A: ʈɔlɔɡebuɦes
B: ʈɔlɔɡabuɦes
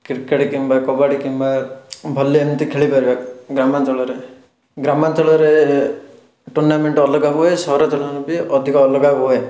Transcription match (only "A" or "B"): B